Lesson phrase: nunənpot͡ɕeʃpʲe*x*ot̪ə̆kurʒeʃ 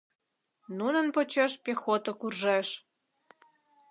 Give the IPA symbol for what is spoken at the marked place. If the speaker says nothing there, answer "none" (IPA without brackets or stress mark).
x